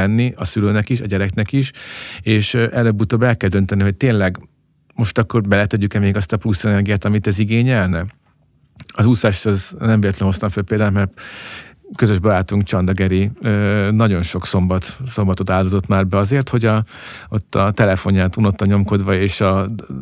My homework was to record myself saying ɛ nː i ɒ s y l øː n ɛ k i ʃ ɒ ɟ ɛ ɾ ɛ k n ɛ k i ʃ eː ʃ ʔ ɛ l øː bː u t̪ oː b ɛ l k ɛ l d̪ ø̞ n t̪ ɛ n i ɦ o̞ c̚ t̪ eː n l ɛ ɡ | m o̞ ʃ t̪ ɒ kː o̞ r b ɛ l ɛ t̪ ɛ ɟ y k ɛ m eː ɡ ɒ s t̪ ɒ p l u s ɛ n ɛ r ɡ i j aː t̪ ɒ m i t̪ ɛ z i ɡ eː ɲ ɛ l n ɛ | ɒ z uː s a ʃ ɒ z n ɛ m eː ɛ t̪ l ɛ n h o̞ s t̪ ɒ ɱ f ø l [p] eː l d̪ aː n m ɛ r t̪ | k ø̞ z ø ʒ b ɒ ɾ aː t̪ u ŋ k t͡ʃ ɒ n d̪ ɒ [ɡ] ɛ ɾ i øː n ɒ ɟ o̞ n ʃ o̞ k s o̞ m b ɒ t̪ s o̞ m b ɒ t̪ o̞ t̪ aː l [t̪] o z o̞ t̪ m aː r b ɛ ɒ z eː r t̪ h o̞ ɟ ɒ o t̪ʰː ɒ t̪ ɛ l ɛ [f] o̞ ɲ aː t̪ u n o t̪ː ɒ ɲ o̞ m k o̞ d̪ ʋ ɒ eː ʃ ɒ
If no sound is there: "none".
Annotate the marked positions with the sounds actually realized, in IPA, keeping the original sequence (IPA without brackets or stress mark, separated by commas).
p, ɡ, d̪, f